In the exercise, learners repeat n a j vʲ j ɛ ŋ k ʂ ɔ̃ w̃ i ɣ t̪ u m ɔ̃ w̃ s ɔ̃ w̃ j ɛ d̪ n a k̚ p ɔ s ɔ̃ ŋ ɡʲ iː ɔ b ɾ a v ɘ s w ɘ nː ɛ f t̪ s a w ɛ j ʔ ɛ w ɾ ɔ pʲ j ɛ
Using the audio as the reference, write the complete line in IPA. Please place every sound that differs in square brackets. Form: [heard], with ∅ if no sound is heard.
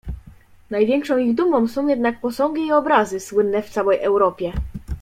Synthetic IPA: n a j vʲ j ɛ ŋ k ʂ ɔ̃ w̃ i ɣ [d̪] u m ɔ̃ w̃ s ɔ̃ w̃ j ɛ d̪ n a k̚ p ɔ s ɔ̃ ŋ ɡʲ iː ɔ b ɾ a [z] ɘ s w ɘ nː ɛ f t̪ s a w ɛ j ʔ ɛ w ɾ ɔ pʲ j ɛ